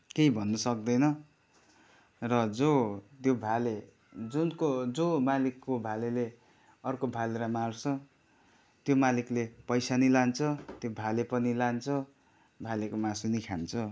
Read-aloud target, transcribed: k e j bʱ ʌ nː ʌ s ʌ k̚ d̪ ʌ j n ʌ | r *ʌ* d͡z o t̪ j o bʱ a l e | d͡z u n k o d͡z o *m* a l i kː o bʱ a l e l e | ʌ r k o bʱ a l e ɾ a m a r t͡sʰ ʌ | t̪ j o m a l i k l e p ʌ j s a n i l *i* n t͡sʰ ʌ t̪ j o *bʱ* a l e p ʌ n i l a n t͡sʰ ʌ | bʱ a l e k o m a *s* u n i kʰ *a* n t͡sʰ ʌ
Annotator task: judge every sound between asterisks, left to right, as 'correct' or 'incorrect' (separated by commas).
correct, correct, incorrect, correct, correct, correct